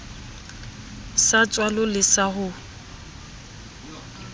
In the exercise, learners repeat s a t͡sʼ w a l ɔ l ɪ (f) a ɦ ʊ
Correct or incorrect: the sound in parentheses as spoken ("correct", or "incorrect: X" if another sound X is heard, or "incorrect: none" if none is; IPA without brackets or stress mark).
incorrect: s